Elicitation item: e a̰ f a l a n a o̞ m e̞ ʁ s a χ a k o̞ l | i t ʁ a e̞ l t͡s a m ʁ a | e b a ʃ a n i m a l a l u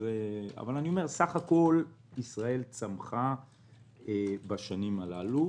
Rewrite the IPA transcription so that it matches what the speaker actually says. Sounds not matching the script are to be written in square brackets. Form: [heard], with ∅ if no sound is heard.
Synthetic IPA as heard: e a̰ [v] a l a n [i] o̞ m e̞ ʁ s a χ a k o̞ l | i [s] ʁ a e̞ l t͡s a m [χ] a | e b a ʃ a n i m a l a l u